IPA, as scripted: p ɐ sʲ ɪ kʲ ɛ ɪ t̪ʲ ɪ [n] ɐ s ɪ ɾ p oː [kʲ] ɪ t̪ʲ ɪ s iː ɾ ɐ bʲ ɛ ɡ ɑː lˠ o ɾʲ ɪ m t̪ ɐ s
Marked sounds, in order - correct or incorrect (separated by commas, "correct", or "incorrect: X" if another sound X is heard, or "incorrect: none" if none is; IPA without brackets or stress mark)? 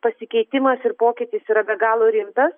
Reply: incorrect: m, correct